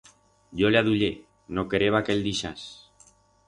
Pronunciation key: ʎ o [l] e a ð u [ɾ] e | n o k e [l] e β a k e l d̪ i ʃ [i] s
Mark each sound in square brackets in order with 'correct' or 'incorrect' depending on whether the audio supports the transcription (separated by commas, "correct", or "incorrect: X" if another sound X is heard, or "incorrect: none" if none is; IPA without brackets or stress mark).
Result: correct, incorrect: ʎ, incorrect: ɾ, incorrect: a